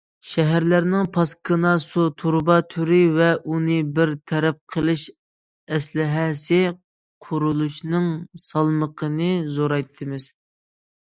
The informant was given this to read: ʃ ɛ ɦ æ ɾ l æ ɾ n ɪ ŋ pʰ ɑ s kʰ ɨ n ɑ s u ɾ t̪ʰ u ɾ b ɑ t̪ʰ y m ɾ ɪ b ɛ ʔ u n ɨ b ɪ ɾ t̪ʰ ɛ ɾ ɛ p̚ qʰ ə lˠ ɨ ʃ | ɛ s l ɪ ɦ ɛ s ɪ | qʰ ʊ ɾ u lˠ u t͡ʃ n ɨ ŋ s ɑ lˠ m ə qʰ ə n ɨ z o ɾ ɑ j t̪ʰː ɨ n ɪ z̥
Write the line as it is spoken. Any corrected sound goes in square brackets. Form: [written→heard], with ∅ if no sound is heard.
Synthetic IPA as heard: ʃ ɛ ɦ æ ɾ l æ ɾ n ɪ ŋ pʰ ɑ s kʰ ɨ n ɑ s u [ɾ→∅] t̪ʰ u ɾ b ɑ t̪ʰ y [m→∅] ɾ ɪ [b→v] ɛ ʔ u n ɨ b ɪ ɾ t̪ʰ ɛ ɾ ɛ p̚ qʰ ə lˠ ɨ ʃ | ɛ s l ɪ ɦ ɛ s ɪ | qʰ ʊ ɾ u lˠ u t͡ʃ n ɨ ŋ s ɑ lˠ m ə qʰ ə n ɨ z o ɾ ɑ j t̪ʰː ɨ [n→m] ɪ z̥